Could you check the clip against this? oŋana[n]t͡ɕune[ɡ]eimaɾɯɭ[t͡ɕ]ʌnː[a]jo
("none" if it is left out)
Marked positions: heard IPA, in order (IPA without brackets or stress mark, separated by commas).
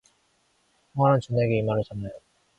n, ɡ, t͡ɕ, a